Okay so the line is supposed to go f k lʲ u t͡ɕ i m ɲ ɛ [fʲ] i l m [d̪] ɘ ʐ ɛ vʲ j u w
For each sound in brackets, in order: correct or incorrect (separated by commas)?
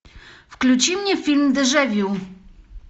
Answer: correct, correct